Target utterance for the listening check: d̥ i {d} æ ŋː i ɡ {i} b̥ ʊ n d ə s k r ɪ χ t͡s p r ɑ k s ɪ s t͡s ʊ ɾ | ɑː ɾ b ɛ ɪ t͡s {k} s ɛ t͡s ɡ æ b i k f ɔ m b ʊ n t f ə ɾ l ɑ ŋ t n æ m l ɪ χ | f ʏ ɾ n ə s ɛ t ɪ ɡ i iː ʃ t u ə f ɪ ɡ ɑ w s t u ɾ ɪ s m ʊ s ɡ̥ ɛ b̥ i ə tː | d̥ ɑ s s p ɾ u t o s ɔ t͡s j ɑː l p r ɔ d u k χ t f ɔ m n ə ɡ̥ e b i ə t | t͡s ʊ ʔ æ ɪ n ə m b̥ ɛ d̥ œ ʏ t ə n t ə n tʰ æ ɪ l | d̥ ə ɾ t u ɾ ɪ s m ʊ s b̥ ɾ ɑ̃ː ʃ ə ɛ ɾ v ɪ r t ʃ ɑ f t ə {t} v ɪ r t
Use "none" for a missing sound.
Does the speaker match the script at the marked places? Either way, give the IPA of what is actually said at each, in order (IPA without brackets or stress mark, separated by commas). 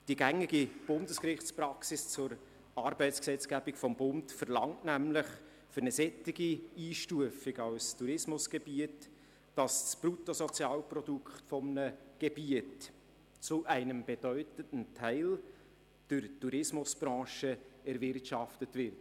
ɡ, i, k, t